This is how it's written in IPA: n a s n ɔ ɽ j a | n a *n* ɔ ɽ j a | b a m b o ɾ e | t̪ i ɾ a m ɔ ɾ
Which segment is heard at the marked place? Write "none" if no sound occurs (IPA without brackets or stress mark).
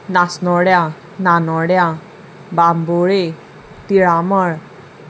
n